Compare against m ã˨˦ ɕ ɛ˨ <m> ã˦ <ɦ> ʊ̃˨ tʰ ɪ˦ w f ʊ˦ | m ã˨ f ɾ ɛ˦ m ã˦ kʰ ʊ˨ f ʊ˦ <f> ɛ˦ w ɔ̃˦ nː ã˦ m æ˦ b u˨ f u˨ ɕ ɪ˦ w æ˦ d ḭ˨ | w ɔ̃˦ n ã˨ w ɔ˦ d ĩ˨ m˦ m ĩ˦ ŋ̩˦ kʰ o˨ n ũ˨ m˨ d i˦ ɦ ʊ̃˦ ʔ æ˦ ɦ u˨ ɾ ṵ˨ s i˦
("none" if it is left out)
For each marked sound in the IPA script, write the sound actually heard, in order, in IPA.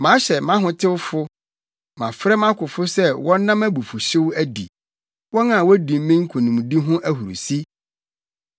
m, ɦ, s

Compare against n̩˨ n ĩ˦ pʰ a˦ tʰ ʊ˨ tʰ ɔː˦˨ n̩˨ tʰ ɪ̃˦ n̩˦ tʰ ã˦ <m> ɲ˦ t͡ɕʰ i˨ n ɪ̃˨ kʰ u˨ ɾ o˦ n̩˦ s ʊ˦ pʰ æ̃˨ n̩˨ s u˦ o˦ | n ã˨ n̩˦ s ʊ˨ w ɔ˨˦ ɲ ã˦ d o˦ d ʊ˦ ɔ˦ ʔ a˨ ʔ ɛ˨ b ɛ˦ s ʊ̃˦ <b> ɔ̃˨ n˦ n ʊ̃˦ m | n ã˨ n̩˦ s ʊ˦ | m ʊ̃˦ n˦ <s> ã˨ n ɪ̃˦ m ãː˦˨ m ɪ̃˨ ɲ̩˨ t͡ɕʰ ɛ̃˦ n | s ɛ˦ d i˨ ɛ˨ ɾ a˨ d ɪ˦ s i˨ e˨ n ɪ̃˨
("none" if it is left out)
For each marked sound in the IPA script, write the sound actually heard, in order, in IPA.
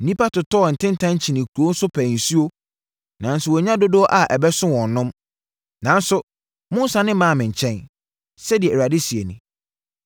none, w, s

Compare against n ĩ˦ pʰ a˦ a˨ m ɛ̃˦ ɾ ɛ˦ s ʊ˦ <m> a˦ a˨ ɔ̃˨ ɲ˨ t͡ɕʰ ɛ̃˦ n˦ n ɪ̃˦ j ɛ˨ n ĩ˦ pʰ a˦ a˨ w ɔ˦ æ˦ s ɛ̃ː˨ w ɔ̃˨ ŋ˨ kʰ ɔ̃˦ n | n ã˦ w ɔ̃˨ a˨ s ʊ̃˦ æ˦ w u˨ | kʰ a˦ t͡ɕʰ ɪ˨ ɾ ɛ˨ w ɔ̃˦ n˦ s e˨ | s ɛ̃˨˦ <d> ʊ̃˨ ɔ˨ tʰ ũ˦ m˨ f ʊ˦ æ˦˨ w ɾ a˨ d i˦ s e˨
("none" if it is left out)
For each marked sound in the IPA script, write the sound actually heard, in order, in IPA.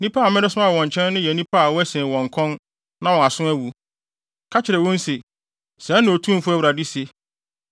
m, n

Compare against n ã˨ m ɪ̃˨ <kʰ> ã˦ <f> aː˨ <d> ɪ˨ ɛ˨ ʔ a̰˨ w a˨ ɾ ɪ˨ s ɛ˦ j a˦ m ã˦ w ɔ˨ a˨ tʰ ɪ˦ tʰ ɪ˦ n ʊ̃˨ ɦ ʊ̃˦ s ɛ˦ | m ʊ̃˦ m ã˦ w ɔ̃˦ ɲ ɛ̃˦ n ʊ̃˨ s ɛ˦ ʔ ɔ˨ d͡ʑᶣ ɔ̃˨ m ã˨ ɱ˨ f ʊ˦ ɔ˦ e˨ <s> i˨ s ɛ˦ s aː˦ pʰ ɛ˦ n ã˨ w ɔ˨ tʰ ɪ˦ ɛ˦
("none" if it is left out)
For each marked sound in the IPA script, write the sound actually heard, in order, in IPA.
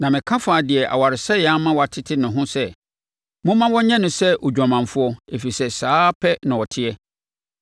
kʰ, f, d, f

